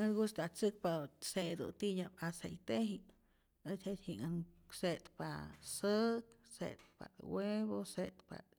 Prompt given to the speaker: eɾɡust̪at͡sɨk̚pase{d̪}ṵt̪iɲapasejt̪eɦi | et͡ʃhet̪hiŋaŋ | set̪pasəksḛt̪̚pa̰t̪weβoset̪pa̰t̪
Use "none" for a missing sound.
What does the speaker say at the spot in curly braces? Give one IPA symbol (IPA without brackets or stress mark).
d̪